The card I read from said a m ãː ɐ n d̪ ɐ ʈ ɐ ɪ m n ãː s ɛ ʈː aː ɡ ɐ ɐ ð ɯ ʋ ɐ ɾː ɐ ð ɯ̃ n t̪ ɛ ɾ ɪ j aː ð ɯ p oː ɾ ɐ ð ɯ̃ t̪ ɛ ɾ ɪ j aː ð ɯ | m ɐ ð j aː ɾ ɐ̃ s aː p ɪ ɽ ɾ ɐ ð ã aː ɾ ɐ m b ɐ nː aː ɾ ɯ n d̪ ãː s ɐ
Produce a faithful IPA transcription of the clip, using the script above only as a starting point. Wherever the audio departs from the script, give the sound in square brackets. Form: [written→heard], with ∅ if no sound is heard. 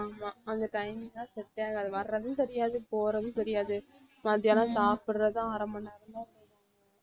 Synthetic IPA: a m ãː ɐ n d̪ ɐ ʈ ɐ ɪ m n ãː s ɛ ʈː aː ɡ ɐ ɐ ð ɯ ʋ ɐ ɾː ɐ ð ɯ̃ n t̪ ɛ ɾ ɪ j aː ð ɯ p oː ɾ ɐ ð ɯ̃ t̪ ɛ ɾ ɪ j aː ð ɯ | m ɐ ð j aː [ɾ→l] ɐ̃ s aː p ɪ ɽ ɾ ɐ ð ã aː ɾ ɐ m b ɐ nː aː ɾ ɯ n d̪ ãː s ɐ